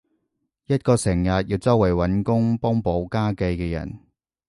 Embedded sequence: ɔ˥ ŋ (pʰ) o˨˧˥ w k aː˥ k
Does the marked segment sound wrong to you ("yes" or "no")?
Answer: yes